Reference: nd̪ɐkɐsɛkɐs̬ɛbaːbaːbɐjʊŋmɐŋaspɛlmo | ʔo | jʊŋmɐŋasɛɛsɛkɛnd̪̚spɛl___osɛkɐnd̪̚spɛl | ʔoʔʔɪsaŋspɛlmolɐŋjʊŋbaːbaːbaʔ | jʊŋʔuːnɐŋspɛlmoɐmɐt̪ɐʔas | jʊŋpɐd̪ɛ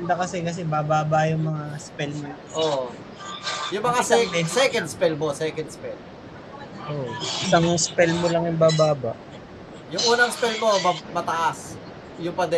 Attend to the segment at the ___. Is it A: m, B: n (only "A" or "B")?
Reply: A